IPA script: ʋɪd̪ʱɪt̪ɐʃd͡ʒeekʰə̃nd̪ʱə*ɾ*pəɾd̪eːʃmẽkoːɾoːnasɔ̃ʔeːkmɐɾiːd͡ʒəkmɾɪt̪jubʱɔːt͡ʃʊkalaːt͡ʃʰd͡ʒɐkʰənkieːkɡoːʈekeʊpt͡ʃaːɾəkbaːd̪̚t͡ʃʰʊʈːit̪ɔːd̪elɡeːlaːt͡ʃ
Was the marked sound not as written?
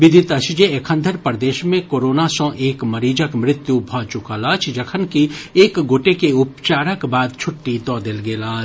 no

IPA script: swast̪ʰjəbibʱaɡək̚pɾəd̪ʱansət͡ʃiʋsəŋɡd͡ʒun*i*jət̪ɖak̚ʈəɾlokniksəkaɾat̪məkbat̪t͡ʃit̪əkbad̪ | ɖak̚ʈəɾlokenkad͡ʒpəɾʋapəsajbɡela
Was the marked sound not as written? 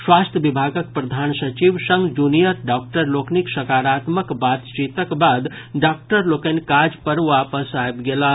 no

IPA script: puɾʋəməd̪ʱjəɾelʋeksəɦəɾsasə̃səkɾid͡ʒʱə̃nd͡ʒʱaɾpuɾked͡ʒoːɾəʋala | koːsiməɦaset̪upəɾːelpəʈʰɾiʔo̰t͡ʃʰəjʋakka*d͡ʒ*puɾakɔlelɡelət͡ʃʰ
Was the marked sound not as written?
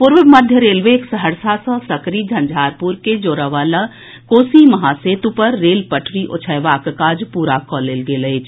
no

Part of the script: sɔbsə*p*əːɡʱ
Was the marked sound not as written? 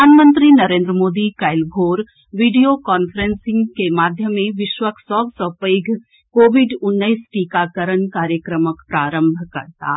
no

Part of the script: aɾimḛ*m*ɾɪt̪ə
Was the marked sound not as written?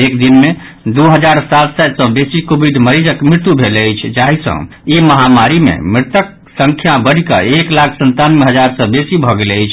no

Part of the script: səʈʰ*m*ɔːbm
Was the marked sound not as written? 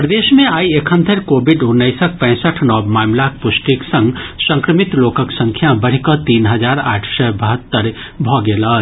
yes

